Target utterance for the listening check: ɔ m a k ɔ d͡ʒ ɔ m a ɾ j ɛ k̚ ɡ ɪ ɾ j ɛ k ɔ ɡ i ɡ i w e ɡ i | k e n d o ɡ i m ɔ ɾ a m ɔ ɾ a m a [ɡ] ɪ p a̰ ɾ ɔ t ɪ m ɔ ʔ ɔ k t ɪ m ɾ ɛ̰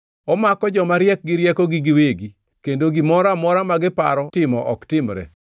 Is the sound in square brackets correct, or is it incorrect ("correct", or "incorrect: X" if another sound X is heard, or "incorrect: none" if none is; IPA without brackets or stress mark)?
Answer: correct